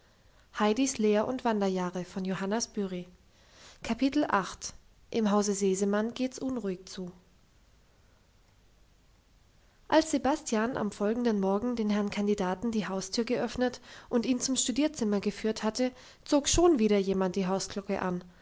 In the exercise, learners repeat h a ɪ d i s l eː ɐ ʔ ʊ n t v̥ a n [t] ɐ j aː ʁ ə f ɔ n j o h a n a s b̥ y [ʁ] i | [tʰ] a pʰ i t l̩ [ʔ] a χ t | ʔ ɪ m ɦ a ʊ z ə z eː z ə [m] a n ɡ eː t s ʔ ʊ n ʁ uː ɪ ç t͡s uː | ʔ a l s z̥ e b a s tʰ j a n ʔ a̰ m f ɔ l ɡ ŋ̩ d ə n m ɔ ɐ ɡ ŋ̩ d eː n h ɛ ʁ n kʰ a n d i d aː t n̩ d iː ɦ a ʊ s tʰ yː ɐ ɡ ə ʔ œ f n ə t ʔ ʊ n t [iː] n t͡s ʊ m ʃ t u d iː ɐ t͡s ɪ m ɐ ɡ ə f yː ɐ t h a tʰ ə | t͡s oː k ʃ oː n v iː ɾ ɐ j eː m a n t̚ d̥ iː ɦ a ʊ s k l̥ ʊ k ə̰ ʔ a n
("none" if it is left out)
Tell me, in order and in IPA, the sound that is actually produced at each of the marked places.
d, ʁ, kʰ, ʔ, m, iː

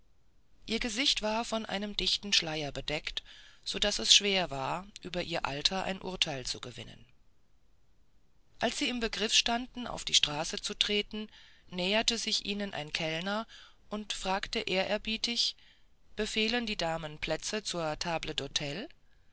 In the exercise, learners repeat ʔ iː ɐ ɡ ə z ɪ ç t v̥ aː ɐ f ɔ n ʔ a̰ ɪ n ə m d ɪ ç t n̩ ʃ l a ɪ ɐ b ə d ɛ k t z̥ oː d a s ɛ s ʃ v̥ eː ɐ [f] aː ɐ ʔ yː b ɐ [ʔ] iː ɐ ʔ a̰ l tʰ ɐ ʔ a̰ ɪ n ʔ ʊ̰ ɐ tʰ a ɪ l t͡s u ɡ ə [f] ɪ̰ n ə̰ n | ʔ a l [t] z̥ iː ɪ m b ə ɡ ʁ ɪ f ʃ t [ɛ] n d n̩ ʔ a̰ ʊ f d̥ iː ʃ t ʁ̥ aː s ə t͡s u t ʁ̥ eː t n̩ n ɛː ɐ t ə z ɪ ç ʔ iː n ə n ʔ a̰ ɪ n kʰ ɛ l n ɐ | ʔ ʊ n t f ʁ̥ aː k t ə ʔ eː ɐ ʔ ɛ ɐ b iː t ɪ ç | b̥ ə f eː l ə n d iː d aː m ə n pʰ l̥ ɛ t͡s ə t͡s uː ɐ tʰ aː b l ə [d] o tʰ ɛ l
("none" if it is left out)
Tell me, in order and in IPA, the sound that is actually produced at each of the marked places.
v, ʔ, v, s, a, d

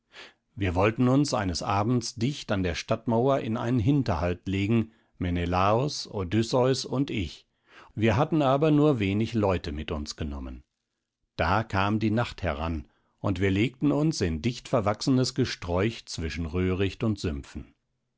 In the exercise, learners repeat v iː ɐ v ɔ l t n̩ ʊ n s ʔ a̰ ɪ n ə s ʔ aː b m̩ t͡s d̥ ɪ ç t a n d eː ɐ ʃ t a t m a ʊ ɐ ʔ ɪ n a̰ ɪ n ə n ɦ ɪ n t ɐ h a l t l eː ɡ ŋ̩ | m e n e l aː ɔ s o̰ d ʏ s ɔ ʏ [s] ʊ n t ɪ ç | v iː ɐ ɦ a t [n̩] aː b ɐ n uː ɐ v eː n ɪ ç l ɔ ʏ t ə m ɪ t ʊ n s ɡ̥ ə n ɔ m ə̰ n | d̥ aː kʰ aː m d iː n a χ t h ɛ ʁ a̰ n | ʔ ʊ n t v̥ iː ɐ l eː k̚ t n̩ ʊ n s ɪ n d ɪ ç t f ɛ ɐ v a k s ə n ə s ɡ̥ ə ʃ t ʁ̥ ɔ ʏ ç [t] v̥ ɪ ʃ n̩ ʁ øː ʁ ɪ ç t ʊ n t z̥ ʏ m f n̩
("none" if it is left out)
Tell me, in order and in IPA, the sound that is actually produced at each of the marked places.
s, n̩, t͡s

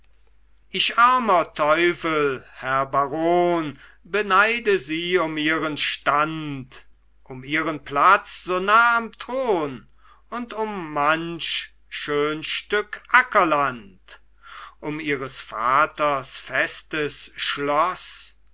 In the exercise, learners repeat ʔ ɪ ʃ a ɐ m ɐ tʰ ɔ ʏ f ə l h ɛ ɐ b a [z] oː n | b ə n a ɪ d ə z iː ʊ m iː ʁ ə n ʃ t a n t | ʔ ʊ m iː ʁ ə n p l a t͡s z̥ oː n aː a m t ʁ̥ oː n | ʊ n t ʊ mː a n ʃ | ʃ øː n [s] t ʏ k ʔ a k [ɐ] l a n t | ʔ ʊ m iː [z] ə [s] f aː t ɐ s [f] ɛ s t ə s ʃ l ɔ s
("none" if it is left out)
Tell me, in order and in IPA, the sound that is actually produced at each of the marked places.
ʁ, ʃ, ɐ, ʁ, s, f

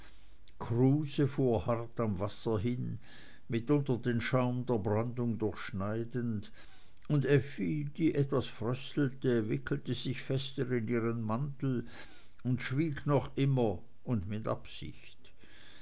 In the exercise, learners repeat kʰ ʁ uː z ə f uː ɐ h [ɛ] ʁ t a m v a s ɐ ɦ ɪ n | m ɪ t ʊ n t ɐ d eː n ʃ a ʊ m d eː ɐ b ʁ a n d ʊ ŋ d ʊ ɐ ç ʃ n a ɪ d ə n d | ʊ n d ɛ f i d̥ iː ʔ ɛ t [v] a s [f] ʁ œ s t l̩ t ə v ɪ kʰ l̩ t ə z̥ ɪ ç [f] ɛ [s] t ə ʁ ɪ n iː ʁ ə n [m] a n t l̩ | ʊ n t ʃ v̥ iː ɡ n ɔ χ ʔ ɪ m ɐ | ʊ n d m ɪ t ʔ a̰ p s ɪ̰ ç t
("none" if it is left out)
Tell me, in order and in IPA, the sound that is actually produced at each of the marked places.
a, v, f, f, s, m

